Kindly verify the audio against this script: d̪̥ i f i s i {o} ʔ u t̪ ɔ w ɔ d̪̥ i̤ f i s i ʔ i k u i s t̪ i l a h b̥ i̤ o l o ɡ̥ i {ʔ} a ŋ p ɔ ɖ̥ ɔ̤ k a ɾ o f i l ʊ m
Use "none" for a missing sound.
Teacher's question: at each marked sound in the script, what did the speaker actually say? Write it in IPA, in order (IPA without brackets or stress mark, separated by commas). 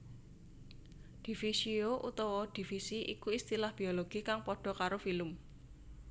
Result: o, k